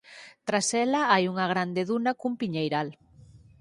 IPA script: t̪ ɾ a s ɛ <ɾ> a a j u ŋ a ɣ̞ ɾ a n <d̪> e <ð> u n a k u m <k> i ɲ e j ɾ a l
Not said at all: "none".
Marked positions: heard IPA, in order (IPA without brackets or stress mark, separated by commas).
l, d̪, ð, p